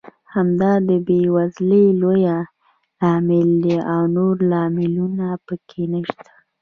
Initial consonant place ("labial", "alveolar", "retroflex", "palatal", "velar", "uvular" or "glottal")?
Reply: glottal